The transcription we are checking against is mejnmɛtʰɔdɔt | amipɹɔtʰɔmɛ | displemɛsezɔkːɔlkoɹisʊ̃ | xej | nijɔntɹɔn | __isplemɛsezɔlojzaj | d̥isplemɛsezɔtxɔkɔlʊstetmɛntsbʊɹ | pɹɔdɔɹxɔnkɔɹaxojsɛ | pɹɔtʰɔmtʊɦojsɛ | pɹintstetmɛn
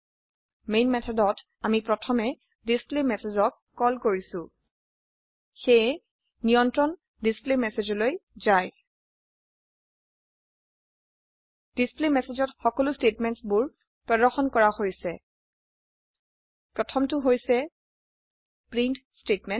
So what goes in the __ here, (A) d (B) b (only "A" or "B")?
A